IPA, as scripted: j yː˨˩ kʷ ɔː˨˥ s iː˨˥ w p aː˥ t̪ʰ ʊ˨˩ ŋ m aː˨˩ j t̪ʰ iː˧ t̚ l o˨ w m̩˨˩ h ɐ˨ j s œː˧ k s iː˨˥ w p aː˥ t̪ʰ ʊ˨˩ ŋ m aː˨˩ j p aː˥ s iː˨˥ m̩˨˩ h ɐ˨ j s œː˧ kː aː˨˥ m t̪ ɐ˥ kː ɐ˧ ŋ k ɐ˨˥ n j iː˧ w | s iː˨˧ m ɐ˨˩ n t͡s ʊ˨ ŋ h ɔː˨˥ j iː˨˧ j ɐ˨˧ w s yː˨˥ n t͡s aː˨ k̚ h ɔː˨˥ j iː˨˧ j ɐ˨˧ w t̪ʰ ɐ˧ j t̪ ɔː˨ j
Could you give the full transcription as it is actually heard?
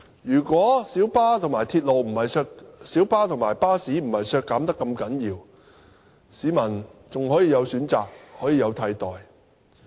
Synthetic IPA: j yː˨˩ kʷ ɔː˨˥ s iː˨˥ w p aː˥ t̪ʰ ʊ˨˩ ŋ m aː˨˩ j t̪ʰ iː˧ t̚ l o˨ w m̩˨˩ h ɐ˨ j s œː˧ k s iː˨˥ w p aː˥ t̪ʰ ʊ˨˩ ŋ m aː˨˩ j p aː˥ s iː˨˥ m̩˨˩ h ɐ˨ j s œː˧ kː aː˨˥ m t̪ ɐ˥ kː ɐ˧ m k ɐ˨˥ n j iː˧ w | s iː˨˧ m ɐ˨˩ n t͡s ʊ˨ ŋ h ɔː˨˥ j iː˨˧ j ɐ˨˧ w s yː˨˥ n t͡s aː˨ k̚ h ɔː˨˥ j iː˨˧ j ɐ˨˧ w t̪ʰ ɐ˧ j t̪ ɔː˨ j